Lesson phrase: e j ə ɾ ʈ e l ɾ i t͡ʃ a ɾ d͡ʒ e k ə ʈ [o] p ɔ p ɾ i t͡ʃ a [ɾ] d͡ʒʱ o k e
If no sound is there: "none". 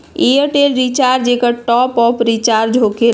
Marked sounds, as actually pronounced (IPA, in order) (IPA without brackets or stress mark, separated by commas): ɔ, ɾ